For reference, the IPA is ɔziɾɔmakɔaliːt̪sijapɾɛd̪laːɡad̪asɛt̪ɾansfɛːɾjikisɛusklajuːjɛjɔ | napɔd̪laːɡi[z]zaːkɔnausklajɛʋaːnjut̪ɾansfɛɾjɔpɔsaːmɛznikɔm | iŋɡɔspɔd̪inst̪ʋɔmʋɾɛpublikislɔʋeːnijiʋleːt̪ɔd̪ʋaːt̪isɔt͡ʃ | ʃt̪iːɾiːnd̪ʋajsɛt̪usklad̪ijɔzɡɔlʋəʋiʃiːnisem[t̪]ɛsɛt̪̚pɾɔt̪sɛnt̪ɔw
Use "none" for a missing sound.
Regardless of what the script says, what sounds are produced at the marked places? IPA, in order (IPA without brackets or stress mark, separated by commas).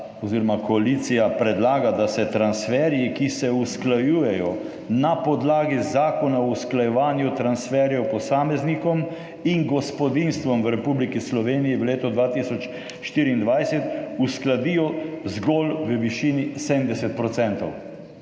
z, d̪